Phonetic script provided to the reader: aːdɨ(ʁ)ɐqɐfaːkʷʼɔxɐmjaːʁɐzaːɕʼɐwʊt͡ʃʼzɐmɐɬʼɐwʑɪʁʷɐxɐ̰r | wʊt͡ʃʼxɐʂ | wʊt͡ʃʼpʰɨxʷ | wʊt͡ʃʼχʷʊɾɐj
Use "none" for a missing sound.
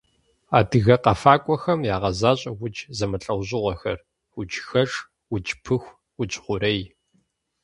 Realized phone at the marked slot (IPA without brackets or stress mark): ɣ